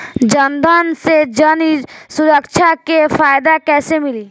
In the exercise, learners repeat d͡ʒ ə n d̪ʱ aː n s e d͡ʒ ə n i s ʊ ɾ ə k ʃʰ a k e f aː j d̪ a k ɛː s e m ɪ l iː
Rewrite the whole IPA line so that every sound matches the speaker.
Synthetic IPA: d͡ʒ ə n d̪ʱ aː n s e d͡ʒ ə n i s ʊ ɾ ə k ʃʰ a k e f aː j d̪ a k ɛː s e m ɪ l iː